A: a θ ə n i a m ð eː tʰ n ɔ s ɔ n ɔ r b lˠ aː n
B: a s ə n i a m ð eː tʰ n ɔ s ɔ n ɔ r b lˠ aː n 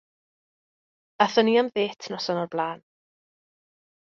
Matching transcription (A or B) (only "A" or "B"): A